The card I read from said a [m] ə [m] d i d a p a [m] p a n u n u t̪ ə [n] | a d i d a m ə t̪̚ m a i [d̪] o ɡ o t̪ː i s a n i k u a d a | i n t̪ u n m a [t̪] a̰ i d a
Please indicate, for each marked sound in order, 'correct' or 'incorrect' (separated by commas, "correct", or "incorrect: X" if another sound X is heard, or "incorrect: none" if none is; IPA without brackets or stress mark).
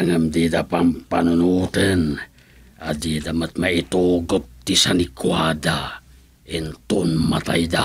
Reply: incorrect: ŋ, correct, correct, correct, incorrect: t̪, correct